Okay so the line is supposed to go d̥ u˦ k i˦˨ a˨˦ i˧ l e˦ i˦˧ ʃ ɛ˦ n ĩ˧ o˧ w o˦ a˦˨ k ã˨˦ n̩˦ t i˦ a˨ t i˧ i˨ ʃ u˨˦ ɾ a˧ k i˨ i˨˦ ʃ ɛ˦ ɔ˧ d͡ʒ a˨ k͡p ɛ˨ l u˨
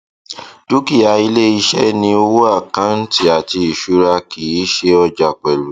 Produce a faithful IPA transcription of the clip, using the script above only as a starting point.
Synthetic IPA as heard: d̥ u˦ k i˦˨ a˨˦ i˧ l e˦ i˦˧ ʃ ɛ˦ n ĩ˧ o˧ w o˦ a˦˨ k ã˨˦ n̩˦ t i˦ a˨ t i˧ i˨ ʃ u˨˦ ɾ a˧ k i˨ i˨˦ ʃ e˦ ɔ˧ d͡ʒ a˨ k͡p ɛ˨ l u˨